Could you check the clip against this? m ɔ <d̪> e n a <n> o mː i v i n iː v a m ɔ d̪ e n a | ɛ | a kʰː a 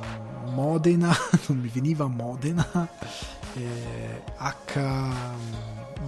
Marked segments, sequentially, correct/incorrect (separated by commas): correct, correct